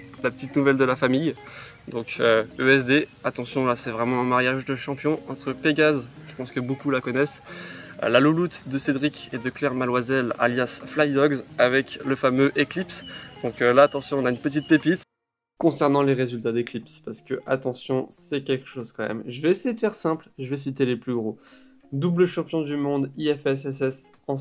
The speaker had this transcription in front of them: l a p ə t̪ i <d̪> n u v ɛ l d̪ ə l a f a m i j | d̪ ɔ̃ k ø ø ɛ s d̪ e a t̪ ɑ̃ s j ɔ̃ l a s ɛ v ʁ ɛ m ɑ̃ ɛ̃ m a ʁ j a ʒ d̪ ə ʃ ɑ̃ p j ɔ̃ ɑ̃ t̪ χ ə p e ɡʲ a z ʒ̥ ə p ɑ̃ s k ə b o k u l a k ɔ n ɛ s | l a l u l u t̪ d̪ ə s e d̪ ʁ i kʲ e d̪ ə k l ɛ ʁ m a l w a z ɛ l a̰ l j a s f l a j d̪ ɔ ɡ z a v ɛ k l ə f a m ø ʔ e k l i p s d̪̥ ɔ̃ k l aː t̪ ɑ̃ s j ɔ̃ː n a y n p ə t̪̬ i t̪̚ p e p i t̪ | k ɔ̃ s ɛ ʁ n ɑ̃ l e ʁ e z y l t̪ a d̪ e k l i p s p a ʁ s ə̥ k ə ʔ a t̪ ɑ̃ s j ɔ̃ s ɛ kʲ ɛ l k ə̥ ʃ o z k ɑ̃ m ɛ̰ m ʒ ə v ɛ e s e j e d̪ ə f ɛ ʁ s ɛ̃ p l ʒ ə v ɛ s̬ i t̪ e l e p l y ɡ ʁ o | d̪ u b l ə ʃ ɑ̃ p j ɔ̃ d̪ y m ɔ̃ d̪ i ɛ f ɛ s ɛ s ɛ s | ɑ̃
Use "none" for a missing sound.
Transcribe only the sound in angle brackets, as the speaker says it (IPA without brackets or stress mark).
t̪